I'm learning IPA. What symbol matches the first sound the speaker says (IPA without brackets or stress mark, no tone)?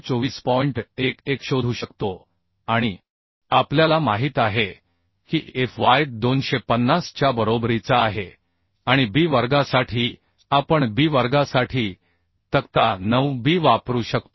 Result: t͡s